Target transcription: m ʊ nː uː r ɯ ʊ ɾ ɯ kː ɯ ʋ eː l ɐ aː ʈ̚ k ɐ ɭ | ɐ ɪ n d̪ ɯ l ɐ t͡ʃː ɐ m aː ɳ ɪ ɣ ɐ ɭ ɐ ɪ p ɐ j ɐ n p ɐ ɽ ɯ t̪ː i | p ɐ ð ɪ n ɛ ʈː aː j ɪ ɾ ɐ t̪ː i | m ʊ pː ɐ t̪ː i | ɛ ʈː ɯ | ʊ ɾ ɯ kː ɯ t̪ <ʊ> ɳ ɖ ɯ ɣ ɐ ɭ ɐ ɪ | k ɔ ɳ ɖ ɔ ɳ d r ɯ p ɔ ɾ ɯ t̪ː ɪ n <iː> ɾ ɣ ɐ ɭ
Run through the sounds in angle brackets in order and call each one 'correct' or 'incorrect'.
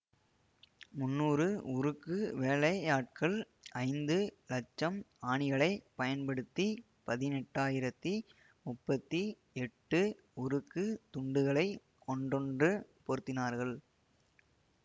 correct, incorrect

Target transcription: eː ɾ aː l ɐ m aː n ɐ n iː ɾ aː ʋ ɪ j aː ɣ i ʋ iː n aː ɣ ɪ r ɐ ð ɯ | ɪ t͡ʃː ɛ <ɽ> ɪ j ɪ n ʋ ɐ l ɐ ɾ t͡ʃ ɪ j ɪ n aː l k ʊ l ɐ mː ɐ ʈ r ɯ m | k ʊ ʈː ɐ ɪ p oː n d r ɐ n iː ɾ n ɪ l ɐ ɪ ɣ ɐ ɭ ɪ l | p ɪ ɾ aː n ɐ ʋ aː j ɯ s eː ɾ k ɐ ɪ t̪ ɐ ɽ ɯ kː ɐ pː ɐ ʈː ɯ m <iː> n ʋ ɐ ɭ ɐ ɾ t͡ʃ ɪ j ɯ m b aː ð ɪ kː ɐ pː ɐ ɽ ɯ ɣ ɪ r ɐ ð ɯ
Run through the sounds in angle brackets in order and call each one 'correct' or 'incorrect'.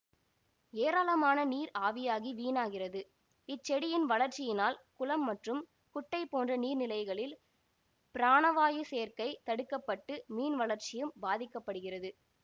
correct, correct

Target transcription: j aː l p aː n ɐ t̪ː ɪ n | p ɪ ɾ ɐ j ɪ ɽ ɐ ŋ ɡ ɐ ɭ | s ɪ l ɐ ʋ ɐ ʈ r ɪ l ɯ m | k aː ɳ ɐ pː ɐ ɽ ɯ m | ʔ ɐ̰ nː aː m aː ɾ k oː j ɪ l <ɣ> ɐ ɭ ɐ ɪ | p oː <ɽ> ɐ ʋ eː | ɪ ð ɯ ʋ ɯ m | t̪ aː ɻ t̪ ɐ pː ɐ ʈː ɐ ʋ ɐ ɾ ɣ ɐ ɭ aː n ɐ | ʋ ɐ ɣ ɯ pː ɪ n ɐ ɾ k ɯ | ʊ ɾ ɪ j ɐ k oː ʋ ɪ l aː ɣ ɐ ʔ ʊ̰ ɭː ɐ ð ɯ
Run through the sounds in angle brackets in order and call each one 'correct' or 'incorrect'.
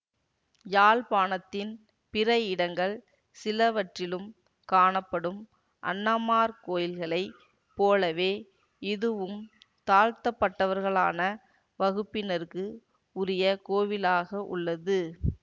correct, incorrect

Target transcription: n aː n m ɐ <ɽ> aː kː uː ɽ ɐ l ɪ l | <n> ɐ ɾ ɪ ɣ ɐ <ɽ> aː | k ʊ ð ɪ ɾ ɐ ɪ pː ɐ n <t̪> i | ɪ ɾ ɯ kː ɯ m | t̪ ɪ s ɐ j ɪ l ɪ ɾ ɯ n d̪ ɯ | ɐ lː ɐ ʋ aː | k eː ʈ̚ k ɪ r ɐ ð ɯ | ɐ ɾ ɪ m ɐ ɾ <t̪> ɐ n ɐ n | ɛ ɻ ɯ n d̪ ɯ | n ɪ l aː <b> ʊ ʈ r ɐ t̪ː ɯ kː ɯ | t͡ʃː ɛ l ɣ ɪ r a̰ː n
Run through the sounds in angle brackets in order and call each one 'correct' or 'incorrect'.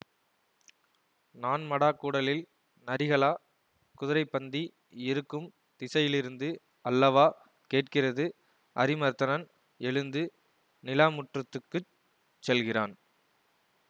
correct, correct, incorrect, incorrect, correct, incorrect

